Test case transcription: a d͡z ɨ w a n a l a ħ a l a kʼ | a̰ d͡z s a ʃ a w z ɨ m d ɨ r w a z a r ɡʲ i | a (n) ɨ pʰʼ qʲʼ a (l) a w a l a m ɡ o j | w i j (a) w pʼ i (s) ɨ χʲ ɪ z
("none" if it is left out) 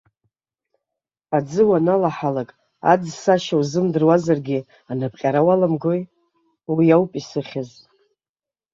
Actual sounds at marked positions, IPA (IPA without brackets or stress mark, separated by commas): n, ɾ, a, s